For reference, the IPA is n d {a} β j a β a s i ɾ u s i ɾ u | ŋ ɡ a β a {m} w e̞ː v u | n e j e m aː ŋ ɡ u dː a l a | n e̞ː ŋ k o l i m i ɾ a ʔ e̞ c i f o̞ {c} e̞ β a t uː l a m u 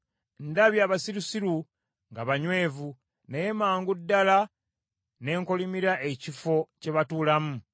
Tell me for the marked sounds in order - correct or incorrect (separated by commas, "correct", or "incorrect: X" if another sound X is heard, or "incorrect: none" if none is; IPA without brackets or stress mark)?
correct, incorrect: ɲ, correct